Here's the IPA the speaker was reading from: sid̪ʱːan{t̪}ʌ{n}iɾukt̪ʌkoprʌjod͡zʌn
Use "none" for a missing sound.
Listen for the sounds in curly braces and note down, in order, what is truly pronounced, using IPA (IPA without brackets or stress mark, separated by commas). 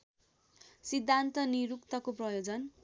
t̪, n